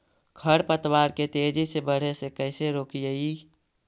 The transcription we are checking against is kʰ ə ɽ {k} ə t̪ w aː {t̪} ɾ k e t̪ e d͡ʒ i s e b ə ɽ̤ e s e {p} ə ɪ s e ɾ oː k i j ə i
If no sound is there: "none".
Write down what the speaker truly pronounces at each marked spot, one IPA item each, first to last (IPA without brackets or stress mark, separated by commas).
p, none, k